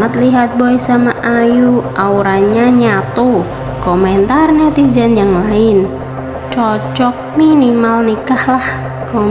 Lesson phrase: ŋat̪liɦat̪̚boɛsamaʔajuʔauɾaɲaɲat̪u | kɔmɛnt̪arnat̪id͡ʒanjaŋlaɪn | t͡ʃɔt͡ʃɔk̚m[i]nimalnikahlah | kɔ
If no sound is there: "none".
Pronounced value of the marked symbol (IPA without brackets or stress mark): i